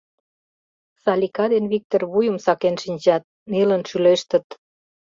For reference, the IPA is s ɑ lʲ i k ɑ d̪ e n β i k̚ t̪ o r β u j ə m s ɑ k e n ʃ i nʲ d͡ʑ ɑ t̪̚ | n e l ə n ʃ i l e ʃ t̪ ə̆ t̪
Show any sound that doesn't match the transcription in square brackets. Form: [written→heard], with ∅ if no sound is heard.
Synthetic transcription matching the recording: s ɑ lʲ i k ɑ d̪ e n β i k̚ t̪ o r β u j ə m s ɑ k e n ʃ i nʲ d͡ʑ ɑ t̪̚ | n e l ə n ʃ [i→y] l e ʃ t̪ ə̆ t̪